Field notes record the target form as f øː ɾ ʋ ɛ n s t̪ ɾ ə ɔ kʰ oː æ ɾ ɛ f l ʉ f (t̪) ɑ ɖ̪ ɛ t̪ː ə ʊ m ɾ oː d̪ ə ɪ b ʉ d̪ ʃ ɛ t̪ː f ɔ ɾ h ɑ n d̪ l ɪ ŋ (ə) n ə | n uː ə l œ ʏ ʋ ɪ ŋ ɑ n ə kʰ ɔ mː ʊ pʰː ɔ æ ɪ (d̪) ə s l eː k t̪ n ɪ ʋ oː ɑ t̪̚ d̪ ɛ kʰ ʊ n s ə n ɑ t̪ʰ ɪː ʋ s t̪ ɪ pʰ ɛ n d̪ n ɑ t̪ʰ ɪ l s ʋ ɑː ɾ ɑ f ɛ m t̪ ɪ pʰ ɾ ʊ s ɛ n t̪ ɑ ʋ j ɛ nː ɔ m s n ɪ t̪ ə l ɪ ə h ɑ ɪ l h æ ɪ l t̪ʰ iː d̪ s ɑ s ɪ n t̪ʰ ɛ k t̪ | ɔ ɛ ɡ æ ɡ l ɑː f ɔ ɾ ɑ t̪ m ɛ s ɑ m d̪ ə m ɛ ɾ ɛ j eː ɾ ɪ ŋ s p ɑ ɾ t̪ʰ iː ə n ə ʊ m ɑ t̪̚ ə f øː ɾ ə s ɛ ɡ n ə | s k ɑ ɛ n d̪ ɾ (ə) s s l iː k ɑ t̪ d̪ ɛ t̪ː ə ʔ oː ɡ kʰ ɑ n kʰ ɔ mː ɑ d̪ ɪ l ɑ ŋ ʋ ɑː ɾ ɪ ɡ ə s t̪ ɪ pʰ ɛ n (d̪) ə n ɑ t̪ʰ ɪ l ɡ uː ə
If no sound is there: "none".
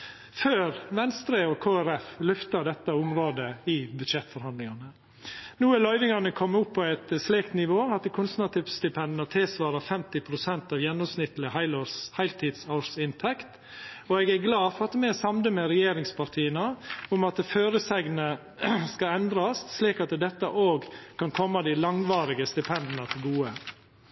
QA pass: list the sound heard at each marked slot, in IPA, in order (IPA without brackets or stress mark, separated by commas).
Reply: t̪, ɑ, t̪, ɑ, d̪